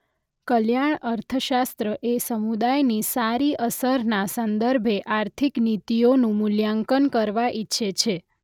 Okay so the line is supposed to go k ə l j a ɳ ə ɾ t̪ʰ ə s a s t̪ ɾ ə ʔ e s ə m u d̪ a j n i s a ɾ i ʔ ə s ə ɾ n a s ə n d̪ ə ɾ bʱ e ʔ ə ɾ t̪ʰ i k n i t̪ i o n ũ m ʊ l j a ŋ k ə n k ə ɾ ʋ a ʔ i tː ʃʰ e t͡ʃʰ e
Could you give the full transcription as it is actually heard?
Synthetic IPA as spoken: k ə l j a ɳ ə ɾ t̪ʰ ə ʃ a s t̪ ɾ ə ʔ e s ə m u d̪ a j n i s a ɾ i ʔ ə s ə ɾ n a s ə n d̪ ə ɾ bʱ e ʔ a ɾ t̪ʰ i k n i t̪ i o n ũ m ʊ l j a ŋ k ə n k ə ɾ ʋ a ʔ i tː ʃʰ e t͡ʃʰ e